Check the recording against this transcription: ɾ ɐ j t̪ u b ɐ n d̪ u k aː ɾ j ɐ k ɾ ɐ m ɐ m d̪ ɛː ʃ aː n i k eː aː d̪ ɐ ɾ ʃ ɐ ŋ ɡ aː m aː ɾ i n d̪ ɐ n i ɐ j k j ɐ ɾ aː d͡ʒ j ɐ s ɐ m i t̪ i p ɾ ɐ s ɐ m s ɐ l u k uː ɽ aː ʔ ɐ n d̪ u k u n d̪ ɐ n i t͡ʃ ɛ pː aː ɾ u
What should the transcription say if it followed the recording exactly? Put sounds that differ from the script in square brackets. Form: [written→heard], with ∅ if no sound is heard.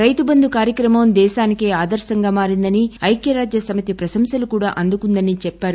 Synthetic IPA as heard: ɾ ɐ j t̪ u b ɐ n d̪ u k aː ɾ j ɐ k ɾ ɐ m ɐ m d̪ ɛː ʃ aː n i k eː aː d̪ ɐ ɾ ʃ ɐ ŋ ɡ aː m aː ɾ i n d̪ ɐ n i ɐ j k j ɐ ɾ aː d͡ʒ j ɐ s ɐ m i t̪ i p ɾ ɐ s ɐ m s ɐ l u k uː ɽ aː ʔ ɐ n d̪ u k u n d̪ ɐ n i t͡ʃ ɛ pː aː ɾ u

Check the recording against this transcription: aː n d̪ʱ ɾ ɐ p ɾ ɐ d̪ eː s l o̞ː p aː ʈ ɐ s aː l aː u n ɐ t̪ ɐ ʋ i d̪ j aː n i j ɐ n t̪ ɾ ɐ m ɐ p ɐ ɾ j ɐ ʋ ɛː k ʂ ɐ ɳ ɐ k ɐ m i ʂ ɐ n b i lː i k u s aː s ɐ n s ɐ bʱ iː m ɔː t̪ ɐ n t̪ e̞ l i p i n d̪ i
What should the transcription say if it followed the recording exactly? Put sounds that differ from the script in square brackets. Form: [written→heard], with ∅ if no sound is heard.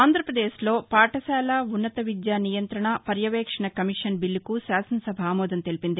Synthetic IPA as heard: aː n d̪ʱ ɾ ɐ p ɾ ɐ d̪ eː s l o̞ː p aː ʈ ɐ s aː l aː u [n→nː] ɐ t̪ ɐ ʋ i d̪ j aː n i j ɐ n t̪ ɾ ɐ [m→ɳ] ɐ p ɐ ɾ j ɐ ʋ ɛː k ʂ ɐ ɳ ɐ k ɐ m i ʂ ɐ n b i lː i k u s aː s ɐ n s ɐ bʱ [iː→aː] m ɔː [t̪→d̪] ɐ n t̪ e̞ l i p i n d̪ i

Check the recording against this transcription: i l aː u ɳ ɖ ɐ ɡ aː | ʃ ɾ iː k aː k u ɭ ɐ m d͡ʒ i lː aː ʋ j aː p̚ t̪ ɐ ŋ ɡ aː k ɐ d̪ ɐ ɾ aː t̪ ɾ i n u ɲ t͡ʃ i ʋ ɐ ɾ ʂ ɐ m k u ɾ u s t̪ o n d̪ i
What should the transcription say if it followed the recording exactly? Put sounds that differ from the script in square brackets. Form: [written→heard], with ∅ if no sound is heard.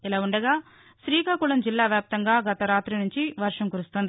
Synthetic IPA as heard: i l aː u ɳ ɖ ɐ ɡ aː | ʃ ɾ iː k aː k u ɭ ɐ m d͡ʒ i lː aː ʋ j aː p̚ t̪ ɐ ŋ ɡ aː [k→ɡ] ɐ [d̪→t̪] ɐ ɾ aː t̪ ɾ i n u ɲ t͡ʃ i ʋ ɐ ɾ ʂ ɐ m k u ɾ u s t̪ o n d̪ i

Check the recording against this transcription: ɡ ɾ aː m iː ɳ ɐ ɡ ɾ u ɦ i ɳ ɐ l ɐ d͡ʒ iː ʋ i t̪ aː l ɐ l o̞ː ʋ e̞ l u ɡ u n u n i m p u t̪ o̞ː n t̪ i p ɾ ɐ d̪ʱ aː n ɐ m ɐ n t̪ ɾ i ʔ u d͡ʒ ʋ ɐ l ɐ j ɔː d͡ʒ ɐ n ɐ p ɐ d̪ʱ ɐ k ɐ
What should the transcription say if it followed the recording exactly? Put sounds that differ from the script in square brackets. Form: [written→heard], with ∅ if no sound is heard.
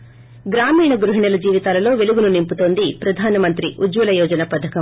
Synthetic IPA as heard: ɡ ɾ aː m iː ɳ ɐ ɡ ɾ u ɦ i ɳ ɐ l ɐ d͡ʒ iː ʋ i t̪ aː l ɐ l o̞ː ʋ e̞ l u ɡ u n u n i m p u t̪ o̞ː n [t̪→d̪] i p ɾ ɐ d̪ʱ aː n ɐ m ɐ n t̪ ɾ i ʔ u d͡ʒ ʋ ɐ l ɐ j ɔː d͡ʒ ɐ n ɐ p ɐ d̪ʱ ɐ k ɐ

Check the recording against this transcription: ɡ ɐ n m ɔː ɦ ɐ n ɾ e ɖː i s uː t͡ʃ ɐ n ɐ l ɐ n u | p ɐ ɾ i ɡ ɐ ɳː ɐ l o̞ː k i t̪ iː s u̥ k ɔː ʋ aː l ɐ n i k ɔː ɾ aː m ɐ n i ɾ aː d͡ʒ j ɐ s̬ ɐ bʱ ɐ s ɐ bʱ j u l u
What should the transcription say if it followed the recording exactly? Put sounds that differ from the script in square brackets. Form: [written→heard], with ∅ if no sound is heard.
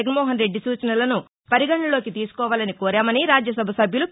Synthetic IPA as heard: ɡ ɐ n m ɔː ɦ ɐ n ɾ e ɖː i s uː t͡ʃ ɐ n ɐ l ɐ n u | p ɐ ɾ i ɡ ɐ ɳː ɐ l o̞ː k i t̪ iː s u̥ k ɔː ʋ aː l ɐ n i k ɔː ɾ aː m ɐ n i ɾ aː d͡ʒ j ɐ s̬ ɐ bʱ ɐ s ɐ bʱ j u l u

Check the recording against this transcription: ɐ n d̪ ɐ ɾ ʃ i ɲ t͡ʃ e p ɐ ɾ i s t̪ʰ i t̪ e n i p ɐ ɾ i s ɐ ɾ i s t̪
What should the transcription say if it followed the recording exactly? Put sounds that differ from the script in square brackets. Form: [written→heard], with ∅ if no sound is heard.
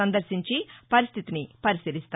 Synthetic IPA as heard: ɐ n d̪ ɐ ɾ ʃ i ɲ t͡ʃ [e→i] p ɐ ɾ i s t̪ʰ i t̪ [e→i] n i p ɐ ɾ i s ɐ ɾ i s t̪

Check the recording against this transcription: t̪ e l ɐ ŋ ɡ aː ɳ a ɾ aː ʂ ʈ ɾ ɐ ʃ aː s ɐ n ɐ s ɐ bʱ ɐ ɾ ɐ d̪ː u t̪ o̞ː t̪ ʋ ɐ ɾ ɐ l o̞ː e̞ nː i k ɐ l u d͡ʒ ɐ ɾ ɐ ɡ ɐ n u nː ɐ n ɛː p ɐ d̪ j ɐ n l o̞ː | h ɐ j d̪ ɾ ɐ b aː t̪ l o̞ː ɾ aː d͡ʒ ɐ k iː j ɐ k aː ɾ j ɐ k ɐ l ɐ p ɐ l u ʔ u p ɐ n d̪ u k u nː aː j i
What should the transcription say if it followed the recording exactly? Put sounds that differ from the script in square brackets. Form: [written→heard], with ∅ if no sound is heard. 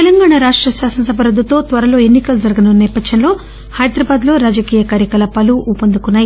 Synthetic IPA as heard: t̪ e l ɐ ŋ ɡ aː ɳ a ɾ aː ʂ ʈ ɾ ɐ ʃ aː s ɐ n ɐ s ɐ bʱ ɐ ɾ ɐ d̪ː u t̪ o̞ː t̪ ʋ ɐ ɾ ɐ l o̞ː e̞ nː i k ɐ l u d͡ʒ ɐ ɾ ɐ ɡ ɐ n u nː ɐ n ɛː p ɐ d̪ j ɐ n l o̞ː | h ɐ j d̪ ɾ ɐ b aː [t̪→d̪] l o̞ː ɾ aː d͡ʒ ɐ k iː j ɐ k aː ɾ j ɐ k ɐ l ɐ p ɐ l u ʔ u p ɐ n d̪ u k u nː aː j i

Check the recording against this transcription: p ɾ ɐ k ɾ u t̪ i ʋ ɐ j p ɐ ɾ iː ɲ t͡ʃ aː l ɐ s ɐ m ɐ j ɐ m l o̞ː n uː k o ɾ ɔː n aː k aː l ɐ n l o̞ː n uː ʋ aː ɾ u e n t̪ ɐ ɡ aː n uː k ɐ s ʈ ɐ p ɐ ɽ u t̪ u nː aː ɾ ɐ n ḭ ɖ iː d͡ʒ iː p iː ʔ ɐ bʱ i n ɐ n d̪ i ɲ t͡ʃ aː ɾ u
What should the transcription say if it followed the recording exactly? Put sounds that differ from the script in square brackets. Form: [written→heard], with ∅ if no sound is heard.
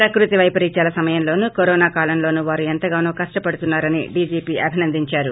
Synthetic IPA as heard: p ɾ ɐ k ɾ u t̪ i ʋ ɐ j p ɐ ɾ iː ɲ t͡ʃ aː l ɐ s ɐ m ɐ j ɐ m l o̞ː n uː k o ɾ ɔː n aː k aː l ɐ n l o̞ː n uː ʋ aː ɾ u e n t̪ ɐ ɡ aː n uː k ɐ [s→ʂ] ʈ ɐ p ɐ ɽ u t̪ u nː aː ɾ ɐ n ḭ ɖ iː d͡ʒ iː p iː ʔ ɐ bʱ i n ɐ n d̪ i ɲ t͡ʃ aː ɾ u

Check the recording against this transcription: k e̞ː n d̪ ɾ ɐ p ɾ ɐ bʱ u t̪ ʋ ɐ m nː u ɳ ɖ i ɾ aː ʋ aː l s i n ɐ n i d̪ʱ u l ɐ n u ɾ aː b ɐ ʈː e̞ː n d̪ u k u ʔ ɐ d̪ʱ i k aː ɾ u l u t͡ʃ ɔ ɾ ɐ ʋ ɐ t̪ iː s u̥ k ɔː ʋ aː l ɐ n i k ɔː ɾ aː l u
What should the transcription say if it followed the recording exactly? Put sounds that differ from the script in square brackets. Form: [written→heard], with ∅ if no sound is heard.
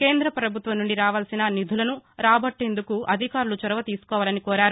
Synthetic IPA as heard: k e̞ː n d̪ ɾ ɐ p ɾ ɐ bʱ u t̪ ʋ ɐ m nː u ɳ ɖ i ɾ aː ʋ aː l s i n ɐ n i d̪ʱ u l ɐ n u ɾ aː b ɐ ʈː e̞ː n d̪ u k u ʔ ɐ d̪ʱ i k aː ɾ u l u t͡ʃ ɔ ɾ ɐ ʋ ɐ t̪ iː s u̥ k ɔː ʋ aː l ɐ n i k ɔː ɾ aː [l→ɾ] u

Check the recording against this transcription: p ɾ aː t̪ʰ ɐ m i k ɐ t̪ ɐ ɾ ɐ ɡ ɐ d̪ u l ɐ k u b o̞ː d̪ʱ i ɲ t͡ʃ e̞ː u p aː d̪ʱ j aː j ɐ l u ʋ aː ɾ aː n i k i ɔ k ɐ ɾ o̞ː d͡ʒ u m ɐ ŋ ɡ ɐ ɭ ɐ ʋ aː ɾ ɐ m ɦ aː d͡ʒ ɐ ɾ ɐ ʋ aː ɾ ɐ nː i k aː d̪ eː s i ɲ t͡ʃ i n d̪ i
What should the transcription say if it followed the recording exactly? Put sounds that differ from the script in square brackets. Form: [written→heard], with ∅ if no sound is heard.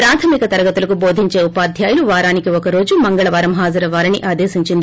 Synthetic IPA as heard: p ɾ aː t̪ʰ ɐ m i k ɐ t̪ ɐ ɾ ɐ ɡ ɐ [d̪→t̪] u l ɐ k u b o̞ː d̪ʱ i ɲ t͡ʃ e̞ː u p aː d̪ʱ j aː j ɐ l u ʋ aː ɾ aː n i k i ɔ k ɐ ɾ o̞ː d͡ʒ u m ɐ ŋ ɡ ɐ ɭ ɐ ʋ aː ɾ ɐ m ɦ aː d͡ʒ ɐ ɾ ɐ ʋ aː ɾ ɐ [nː→n] i [k→ʔ] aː d̪ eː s i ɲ t͡ʃ i n d̪ i

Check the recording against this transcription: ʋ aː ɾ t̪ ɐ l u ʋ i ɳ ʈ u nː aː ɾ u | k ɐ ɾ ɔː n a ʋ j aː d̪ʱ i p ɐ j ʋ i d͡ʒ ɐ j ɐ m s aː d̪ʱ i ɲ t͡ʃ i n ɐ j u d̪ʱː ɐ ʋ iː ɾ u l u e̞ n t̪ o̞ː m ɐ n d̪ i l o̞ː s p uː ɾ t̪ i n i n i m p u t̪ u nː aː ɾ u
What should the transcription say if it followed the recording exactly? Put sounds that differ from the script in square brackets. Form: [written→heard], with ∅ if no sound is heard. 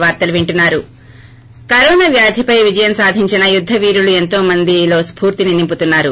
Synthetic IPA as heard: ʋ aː ɾ t̪ ɐ l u ʋ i ɳ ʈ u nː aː ɾ u | k ɐ ɾ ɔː n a ʋ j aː d̪ʱ i p ɐ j ʋ i d͡ʒ ɐ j ɐ m s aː d̪ʱ i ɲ t͡ʃ i n ɐ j u d̪ʱː ɐ ʋ iː ɾ u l u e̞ n t̪ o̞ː m ɐ n d̪ i l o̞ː s p uː ɾ t̪ i n i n i m p u t̪ u nː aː ɾ u

